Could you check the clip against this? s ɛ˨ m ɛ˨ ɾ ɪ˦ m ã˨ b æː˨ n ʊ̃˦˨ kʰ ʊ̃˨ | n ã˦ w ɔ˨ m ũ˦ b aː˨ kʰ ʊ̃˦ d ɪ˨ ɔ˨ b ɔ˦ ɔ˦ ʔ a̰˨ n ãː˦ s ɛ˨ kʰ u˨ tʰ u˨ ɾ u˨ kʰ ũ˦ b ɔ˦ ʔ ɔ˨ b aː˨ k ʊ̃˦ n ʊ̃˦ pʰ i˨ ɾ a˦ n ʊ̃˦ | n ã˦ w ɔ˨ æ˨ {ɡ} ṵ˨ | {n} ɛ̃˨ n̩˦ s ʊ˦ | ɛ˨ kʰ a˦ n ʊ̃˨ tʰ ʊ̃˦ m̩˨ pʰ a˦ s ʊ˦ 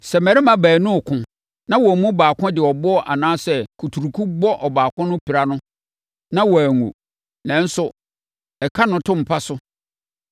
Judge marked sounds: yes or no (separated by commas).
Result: no, yes